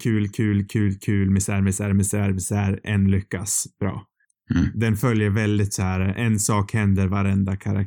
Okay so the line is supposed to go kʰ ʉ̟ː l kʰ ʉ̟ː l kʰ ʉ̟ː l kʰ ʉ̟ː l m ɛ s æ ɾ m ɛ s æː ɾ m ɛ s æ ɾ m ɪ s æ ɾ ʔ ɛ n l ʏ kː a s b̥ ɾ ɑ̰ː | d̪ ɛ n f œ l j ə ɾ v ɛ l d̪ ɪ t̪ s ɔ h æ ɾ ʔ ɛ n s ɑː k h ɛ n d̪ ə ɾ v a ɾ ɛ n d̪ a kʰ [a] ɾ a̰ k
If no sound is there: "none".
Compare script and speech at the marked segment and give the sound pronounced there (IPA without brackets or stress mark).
a